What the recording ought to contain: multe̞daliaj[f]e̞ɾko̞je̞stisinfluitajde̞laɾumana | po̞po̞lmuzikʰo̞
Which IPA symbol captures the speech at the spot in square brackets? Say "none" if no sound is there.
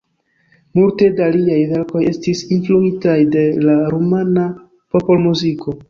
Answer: v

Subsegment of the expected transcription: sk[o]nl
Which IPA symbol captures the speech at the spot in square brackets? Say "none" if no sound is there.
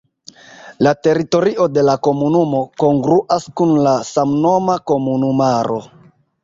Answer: u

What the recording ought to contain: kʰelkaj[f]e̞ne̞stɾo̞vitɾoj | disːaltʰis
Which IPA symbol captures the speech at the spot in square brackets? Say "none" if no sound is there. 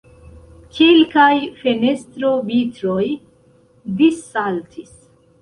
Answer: f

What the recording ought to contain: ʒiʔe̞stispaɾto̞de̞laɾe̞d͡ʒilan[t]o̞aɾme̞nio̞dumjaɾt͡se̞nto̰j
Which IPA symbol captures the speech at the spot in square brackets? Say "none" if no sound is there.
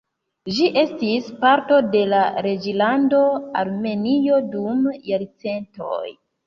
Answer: d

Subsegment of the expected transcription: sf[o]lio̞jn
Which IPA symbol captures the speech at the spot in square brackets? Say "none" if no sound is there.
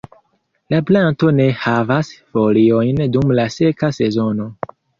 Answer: o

